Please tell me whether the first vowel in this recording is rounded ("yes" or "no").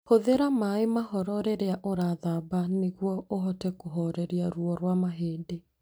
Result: yes